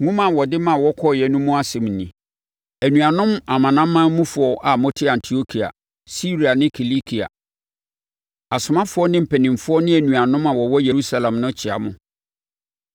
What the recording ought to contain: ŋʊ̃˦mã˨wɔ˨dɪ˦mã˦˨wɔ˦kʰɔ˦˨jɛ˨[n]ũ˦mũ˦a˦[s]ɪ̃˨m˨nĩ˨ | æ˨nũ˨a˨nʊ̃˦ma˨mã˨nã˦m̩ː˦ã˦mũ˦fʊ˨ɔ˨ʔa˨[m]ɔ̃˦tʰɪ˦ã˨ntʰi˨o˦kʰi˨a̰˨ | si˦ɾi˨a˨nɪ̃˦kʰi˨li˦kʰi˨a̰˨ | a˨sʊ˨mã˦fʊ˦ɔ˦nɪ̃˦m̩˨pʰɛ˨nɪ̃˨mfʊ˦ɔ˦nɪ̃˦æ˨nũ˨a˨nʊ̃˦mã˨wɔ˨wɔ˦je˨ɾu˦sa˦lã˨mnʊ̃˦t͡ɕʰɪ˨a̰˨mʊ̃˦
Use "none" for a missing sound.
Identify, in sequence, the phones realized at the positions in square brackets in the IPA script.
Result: n, s, m

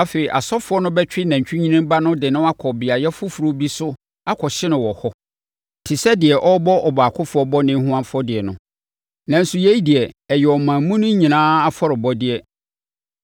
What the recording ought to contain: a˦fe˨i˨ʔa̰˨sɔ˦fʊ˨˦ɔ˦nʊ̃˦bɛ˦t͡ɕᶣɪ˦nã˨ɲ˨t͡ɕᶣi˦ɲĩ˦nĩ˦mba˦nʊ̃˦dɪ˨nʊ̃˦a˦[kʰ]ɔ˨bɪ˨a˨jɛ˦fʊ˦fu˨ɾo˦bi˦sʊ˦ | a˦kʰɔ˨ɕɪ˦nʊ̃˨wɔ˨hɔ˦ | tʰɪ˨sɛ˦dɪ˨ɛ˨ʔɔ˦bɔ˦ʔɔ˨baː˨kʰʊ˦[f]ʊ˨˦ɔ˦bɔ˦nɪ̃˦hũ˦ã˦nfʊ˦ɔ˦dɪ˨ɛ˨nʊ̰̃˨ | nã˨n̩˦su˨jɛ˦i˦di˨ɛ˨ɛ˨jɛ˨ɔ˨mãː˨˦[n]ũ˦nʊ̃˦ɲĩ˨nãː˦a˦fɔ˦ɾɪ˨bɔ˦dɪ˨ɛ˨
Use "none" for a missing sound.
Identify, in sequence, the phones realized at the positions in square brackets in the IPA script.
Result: kʰ, f, m

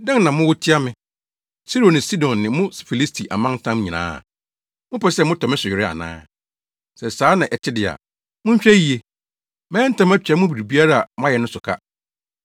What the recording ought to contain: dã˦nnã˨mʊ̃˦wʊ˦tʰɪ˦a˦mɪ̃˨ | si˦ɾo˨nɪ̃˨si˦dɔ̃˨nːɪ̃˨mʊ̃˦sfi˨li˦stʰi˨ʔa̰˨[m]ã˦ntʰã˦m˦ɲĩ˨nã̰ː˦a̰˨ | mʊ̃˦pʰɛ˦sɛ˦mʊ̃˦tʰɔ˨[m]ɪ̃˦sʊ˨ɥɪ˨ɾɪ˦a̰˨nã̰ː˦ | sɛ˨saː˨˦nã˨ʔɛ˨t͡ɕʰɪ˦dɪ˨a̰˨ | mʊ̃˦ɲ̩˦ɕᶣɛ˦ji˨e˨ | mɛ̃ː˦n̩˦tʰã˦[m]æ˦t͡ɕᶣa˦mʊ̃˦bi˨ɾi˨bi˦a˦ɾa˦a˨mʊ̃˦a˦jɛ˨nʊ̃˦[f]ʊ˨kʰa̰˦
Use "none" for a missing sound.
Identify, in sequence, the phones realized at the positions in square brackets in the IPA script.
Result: m, m, m, s

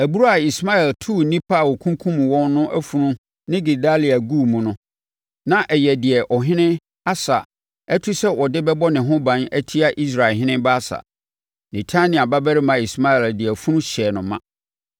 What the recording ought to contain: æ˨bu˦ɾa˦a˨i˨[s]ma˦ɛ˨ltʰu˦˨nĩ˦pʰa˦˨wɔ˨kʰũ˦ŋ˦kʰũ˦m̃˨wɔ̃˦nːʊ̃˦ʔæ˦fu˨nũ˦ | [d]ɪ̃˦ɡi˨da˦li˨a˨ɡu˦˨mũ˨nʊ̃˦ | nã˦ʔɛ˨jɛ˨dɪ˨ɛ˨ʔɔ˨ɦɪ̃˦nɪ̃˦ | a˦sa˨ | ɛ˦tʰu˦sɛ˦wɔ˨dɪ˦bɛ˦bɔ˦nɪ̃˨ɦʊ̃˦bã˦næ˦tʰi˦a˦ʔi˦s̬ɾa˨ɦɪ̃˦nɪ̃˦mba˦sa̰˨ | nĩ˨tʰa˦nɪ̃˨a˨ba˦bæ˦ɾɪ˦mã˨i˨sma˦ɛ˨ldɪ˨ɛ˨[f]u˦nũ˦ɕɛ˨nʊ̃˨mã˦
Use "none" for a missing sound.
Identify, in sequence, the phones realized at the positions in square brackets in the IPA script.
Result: s, n, f

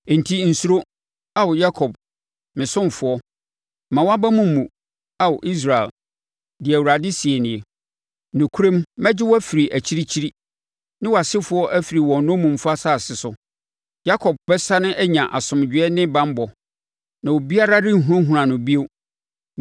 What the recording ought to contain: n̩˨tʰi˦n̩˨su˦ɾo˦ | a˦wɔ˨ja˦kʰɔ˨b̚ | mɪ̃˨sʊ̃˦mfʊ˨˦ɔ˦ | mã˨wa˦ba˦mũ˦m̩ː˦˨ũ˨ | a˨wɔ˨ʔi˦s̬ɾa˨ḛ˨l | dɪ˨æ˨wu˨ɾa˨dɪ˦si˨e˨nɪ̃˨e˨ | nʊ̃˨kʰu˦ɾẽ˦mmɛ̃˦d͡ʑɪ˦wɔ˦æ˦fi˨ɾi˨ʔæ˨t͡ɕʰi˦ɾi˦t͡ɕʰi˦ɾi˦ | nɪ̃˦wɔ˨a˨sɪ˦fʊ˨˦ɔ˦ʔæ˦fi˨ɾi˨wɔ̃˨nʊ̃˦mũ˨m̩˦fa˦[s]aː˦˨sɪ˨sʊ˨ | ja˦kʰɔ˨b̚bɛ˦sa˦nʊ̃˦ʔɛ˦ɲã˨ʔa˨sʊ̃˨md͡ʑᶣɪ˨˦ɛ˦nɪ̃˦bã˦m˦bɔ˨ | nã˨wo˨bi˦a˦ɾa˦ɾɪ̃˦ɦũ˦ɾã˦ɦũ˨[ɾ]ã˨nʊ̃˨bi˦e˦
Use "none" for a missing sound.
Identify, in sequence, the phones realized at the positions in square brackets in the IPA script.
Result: s, ɾ

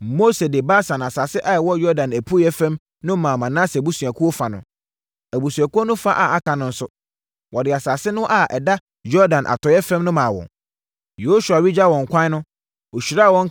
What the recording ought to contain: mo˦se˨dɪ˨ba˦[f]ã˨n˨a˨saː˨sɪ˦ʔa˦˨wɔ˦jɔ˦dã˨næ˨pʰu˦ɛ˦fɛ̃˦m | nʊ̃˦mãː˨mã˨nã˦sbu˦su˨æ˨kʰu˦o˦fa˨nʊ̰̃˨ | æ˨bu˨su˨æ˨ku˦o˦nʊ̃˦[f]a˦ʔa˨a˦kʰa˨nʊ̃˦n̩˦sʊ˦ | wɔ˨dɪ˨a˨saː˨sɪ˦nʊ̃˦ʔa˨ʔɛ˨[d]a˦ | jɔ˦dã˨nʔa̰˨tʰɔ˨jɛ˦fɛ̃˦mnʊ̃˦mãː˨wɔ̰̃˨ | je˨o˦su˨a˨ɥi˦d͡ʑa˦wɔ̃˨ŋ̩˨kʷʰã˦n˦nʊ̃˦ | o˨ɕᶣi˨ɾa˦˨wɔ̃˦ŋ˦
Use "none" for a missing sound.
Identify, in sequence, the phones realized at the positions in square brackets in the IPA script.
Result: s, f, d

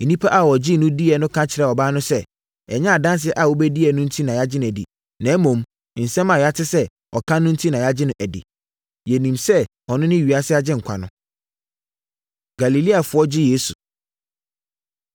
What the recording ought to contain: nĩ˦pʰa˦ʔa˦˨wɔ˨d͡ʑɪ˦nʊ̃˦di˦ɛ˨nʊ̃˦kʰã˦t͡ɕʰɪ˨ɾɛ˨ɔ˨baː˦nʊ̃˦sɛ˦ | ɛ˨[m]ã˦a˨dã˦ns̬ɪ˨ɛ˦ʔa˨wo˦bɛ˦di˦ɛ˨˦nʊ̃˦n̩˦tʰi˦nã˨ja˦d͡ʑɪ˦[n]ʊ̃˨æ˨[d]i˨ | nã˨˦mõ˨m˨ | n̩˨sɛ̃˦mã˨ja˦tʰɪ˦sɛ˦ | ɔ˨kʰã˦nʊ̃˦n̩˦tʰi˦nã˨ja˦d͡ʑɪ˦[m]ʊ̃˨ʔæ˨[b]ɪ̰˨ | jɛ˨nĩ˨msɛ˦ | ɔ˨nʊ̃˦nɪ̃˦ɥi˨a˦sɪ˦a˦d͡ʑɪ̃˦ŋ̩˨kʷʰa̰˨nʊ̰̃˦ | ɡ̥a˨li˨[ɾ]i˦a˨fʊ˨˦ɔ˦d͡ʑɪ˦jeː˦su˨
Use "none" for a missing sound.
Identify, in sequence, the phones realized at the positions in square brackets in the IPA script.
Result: ɲ, n, d, n, d, l

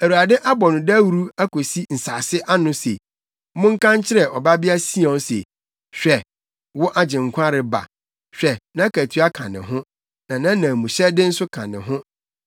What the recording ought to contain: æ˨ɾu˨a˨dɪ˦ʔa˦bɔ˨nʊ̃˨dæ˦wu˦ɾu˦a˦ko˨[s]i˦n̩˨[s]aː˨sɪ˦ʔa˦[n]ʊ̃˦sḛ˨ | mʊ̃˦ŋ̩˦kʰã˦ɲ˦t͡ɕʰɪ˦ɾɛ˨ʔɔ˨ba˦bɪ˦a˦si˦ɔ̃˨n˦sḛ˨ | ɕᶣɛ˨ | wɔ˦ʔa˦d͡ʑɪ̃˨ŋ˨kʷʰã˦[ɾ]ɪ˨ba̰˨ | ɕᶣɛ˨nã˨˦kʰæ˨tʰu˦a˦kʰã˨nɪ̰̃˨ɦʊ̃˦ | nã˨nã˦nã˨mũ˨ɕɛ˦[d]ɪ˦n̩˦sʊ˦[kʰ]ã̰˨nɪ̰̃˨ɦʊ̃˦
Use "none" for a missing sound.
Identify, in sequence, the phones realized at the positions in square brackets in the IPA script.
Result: s, s, n, ɾ, d, kʰ

